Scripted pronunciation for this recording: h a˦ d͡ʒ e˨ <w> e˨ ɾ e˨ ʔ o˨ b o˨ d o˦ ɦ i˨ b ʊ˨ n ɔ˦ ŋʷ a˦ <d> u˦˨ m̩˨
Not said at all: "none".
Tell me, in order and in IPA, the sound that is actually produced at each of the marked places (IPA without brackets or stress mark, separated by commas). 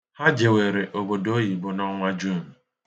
w, d͡ʒ